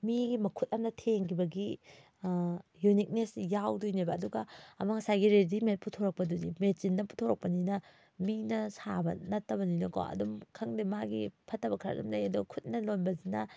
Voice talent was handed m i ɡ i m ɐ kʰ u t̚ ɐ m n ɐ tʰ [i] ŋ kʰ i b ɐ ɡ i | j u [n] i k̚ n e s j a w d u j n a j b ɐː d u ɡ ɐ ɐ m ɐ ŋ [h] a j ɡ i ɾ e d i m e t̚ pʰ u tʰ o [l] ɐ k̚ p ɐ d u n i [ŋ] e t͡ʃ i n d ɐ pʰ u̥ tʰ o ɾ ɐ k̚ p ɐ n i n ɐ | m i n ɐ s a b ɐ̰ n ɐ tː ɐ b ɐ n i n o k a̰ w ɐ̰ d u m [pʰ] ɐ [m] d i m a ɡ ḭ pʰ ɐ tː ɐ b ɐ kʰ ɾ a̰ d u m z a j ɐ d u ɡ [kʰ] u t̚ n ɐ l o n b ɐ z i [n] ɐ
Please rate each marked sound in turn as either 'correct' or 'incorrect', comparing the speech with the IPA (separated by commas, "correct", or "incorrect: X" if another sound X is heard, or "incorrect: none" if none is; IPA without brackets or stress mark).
incorrect: e, correct, incorrect: s, incorrect: ɾ, incorrect: m, incorrect: kʰ, incorrect: ŋ, correct, correct